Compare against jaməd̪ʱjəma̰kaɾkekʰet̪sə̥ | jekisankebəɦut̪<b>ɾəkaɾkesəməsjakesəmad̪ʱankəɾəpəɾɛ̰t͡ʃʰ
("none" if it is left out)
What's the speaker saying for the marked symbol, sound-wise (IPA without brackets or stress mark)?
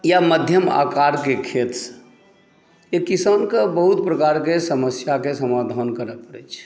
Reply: p